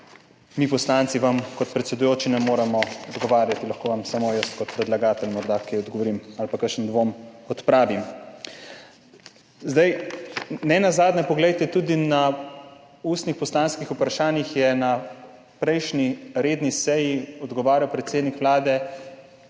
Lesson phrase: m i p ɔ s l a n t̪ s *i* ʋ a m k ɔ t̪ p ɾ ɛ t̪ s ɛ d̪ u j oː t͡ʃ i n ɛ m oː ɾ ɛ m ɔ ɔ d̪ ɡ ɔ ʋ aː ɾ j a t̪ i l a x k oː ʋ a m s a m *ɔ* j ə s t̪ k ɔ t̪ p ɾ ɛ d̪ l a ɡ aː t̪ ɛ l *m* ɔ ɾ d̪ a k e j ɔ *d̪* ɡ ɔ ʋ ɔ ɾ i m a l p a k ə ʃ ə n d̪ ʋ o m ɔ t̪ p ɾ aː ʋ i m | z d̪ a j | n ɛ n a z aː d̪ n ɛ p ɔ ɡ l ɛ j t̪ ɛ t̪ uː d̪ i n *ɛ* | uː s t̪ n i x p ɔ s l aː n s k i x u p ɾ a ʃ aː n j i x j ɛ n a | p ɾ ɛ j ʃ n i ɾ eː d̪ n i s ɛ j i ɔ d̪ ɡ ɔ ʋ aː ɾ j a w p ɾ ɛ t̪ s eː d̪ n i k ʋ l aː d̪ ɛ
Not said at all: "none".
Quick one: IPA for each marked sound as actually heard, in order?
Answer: i, o, m, d̪, a

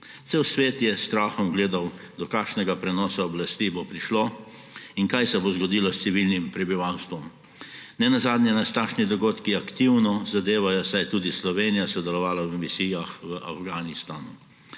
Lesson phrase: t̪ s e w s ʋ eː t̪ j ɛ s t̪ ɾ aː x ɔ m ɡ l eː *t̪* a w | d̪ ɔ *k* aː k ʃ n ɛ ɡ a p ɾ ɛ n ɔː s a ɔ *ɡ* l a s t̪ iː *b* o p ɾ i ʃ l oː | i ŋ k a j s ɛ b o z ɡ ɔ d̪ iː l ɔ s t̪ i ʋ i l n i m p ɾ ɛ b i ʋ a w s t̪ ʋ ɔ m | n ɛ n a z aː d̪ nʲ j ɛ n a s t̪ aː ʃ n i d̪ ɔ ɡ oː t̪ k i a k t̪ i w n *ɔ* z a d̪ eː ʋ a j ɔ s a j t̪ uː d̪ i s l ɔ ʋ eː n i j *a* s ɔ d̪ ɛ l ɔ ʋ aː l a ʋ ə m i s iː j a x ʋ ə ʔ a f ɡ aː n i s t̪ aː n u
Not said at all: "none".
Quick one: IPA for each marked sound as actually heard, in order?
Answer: d̪, k, b, b, ɔ, a

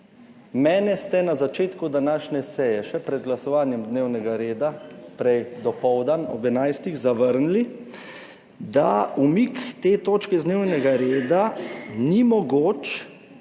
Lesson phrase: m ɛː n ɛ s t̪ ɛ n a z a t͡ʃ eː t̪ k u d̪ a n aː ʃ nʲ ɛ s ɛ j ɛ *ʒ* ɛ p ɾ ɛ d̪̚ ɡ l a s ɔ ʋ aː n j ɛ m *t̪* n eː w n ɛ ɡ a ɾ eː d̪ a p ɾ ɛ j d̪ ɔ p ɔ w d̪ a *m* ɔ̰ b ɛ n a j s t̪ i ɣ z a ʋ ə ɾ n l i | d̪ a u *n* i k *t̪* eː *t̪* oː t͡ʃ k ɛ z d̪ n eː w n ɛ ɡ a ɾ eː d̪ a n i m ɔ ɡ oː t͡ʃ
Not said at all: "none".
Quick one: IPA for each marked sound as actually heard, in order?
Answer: ʃ, d̪, n, m, t̪, t̪

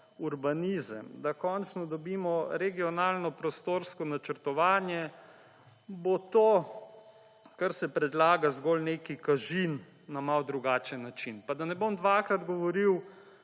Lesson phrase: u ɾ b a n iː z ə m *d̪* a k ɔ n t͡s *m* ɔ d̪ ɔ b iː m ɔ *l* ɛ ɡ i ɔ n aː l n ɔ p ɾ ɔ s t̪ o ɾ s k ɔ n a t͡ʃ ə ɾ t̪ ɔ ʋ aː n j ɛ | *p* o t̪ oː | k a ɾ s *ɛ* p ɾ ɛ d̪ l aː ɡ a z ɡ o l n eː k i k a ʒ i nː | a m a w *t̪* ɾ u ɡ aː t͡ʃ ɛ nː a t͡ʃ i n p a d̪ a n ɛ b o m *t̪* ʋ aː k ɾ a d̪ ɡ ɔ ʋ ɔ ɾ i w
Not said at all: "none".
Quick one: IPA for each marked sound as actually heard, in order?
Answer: d̪, n, ɾ, b, ɛ, d̪, d̪

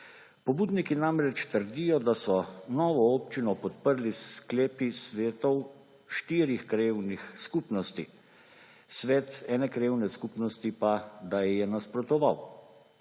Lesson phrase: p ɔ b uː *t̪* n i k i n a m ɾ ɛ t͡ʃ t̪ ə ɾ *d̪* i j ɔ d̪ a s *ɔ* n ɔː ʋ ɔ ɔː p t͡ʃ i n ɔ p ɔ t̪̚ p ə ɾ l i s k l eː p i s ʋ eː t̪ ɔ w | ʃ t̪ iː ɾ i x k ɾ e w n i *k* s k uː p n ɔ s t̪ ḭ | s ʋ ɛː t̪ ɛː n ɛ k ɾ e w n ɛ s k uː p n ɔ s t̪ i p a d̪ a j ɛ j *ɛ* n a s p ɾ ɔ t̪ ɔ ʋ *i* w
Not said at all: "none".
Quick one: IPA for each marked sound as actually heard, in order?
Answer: d̪, d̪, ɔ, x, ɛ, a

